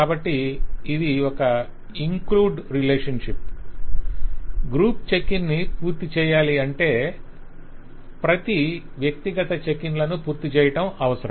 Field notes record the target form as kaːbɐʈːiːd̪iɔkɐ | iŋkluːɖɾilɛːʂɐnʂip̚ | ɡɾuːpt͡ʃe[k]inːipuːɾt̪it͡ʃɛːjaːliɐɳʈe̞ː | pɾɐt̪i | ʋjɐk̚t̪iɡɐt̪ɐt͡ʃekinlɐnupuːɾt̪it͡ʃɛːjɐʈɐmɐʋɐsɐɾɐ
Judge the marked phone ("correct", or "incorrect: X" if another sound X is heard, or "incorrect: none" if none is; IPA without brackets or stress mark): correct